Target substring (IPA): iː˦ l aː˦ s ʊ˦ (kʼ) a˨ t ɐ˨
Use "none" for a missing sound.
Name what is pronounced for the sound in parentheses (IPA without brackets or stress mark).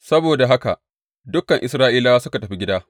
k